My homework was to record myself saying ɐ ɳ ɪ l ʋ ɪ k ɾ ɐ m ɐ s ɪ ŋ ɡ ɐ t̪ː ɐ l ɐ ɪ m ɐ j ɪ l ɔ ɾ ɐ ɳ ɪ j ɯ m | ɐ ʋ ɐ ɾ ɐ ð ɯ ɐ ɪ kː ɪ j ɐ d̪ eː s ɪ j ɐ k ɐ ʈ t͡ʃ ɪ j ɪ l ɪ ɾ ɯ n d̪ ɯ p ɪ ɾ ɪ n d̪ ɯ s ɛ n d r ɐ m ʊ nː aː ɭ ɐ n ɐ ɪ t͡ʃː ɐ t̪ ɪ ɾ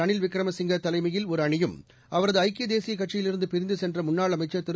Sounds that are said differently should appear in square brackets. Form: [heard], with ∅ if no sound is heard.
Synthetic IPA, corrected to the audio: ɐ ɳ ɪ l ʋ ɪ k ɾ ɐ m ɐ s ɪ ŋ ɡ ɐ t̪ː ɐ l ɐ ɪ m ɐ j ɪ l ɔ ɾ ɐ ɳ ɪ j ɯ m | ɐ ʋ ɐ ɾ ɐ ð ɯ ɐ ɪ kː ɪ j ɐ d̪ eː s ɪ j ɐ k ɐ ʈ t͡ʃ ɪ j ɪ l ɪ ɾ ɯ n d̪ ɯ p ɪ ɾ ɪ n d̪ ɯ s ɛ n d r ɐ m ʊ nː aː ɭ ɐ [m] ɐ ɪ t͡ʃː ɐ t̪ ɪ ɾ